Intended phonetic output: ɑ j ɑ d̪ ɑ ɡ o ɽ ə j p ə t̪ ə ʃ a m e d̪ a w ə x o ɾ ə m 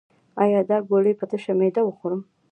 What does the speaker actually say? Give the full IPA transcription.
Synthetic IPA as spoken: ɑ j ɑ d̪ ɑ ɡ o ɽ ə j p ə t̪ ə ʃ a m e d̪ a w ə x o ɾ ə m